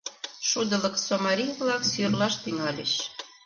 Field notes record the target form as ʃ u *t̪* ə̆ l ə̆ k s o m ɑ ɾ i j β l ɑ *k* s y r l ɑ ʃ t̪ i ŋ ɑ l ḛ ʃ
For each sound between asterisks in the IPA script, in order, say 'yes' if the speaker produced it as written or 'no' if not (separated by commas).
no, yes